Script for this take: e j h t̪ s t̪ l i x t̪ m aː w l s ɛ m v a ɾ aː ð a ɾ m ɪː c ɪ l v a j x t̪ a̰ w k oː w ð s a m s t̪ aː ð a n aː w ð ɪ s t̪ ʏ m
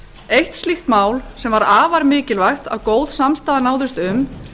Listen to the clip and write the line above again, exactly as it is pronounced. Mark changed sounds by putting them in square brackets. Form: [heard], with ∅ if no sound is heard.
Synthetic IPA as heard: e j h t̪ s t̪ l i x t̪ m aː w l s ɛ m v a ɾ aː [v] a ɾ m ɪː c ɪ l v a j x t̪ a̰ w k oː w ð s a m s t̪ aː ð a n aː w ð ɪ s t̪ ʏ m